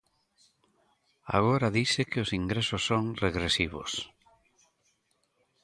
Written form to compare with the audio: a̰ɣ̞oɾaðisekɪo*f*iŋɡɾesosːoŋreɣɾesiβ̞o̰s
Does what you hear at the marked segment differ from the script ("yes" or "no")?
yes